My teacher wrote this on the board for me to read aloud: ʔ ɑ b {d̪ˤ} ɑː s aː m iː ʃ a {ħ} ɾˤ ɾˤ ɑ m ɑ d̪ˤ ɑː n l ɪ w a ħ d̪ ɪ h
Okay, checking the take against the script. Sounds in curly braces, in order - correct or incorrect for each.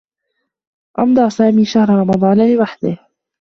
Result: correct, incorrect: h

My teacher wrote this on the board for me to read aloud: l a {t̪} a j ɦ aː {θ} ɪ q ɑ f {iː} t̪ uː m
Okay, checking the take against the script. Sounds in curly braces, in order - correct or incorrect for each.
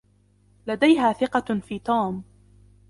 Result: incorrect: d̪, correct, correct

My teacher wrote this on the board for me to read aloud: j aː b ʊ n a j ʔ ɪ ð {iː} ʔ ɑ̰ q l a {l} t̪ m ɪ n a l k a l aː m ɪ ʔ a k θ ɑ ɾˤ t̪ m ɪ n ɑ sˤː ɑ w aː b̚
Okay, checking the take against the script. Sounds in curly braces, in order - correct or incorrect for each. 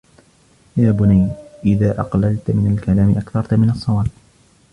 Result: incorrect: aː, correct

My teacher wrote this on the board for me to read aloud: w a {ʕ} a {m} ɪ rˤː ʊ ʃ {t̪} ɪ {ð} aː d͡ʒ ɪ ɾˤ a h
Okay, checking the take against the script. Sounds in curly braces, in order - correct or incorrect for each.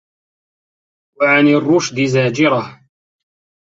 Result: correct, incorrect: n, incorrect: d̪, incorrect: z

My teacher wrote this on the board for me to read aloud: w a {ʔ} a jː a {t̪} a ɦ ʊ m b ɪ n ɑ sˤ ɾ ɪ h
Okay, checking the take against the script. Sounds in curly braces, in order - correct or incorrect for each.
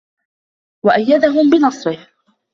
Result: correct, incorrect: d̪

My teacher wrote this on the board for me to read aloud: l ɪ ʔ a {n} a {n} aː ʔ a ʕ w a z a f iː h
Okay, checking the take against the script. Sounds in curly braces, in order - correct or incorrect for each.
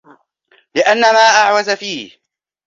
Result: incorrect: nː, incorrect: m

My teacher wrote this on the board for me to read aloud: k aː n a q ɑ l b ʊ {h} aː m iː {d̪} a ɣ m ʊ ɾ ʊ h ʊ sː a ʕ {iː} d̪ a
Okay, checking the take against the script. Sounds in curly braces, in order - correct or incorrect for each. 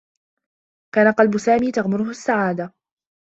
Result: incorrect: s, incorrect: t̪, incorrect: aː

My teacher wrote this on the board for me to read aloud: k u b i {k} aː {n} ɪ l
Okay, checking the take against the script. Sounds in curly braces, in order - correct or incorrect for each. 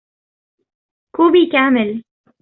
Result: correct, incorrect: m

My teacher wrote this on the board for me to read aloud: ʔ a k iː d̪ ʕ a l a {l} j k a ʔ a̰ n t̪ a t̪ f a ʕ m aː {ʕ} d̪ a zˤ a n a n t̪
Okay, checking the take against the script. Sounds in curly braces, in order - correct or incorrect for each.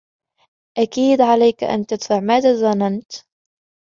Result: incorrect: none, incorrect: none

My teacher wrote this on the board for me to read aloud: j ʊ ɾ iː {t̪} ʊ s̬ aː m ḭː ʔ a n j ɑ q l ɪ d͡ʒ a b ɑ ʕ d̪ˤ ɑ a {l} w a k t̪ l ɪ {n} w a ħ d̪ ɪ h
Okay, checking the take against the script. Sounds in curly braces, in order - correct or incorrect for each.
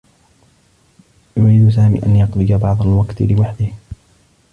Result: incorrect: d̪, correct, incorrect: none

